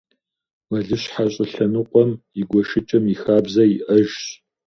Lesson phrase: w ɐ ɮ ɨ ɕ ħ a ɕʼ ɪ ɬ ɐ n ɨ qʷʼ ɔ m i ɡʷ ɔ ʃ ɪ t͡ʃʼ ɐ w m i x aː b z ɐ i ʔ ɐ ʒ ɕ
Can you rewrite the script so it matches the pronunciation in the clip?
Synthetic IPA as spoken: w ɐ ɮ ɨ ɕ ħ a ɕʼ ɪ ɬ ɐ n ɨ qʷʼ ɔ m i ɡʷ ɔ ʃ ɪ t͡ʃʼ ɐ m i x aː b z ɐ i ʔ ɐ ʒ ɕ